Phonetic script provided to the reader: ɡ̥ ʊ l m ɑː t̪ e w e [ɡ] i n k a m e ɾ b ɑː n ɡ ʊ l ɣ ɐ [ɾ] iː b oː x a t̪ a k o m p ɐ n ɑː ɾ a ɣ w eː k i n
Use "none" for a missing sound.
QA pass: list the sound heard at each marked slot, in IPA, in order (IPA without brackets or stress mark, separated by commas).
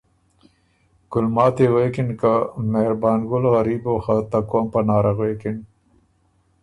k, ɾ